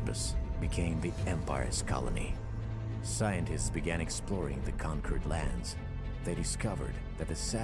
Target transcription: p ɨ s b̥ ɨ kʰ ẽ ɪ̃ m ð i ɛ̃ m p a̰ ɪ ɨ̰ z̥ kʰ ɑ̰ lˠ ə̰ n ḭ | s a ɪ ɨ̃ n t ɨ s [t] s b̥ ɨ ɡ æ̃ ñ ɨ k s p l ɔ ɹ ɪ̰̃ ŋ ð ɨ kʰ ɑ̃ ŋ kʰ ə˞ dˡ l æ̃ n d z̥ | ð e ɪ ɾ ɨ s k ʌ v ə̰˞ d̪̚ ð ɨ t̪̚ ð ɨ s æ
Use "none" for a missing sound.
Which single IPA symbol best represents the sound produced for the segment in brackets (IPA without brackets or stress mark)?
t